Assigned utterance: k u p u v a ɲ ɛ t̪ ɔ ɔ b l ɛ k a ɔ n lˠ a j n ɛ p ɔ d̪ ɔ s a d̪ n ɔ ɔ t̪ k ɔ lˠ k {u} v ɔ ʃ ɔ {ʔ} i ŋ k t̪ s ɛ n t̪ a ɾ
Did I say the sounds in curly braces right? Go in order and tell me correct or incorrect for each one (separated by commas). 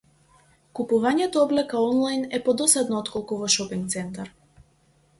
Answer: correct, incorrect